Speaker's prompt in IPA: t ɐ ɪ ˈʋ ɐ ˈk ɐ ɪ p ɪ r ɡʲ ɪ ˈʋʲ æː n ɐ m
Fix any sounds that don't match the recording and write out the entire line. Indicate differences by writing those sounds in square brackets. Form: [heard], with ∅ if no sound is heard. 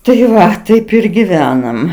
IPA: t ɐ ɪ ˈʋ ɐ [ˈt] ɐ ɪ p ɪ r ɡʲ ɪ ˈʋʲ æː n ɐ m